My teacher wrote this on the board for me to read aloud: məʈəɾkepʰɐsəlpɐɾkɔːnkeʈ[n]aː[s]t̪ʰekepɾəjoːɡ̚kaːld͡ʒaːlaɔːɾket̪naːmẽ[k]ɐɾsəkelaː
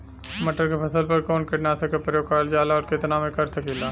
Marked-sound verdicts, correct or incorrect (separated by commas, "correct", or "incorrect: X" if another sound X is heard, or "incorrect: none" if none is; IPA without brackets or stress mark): correct, incorrect: none, correct